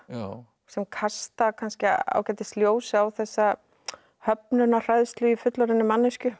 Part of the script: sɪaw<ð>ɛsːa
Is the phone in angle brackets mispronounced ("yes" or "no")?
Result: yes